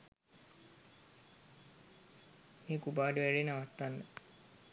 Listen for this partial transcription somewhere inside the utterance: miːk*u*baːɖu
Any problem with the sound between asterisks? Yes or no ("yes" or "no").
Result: no